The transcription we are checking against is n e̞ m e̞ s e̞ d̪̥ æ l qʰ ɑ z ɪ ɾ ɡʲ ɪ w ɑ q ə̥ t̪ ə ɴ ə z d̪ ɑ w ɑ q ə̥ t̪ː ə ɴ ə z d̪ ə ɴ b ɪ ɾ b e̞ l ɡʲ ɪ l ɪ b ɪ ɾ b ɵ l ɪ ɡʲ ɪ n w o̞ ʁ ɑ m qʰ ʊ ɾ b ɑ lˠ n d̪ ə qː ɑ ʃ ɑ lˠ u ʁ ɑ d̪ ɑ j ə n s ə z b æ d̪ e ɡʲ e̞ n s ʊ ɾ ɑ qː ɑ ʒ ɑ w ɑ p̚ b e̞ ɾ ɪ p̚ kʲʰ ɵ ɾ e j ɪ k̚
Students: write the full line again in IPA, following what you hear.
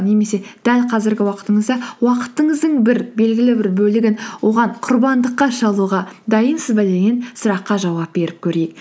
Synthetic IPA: n e̞ m e̞ s e̞ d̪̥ æ l qʰ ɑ z ɪ ɾ ɡʲ ɪ w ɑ q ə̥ t̪ ə ɴ ə z d̪ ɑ w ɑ q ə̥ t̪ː ə ɴ ə z d̪ ə ɴ b ɪ ɾ b e̞ l ɡʲ ɪ l ɪ b ɪ ɾ b ɵ l ɪ ɡʲ ɪ n w o̞ ʁ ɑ ɴ qʰ ʊ ɾ b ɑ n d̪ ə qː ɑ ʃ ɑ lˠ u ʁ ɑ d̪ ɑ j ə n s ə z b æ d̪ e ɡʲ e̞ n s ʊ ɾ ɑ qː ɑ ʒ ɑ w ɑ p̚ b e̞ ɾ ɪ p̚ kʲʰ ɵ ɾ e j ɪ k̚